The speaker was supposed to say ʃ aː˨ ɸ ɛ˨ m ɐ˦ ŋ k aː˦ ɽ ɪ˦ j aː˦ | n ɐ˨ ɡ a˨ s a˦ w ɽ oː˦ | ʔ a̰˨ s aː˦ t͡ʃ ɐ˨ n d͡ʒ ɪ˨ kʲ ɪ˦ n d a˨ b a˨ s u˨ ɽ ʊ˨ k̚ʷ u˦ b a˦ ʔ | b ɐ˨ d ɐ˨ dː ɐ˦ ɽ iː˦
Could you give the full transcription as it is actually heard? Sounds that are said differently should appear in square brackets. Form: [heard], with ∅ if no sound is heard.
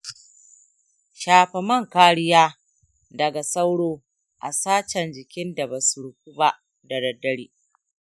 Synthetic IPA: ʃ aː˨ ɸ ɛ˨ m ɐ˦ ŋ k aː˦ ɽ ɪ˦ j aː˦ | [d] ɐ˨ ɡ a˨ s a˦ w ɽ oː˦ | ʔ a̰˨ s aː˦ t͡ʃ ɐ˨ n d͡ʒ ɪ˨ kʲ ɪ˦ n d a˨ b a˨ s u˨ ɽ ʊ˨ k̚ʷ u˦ b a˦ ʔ | [d] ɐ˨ d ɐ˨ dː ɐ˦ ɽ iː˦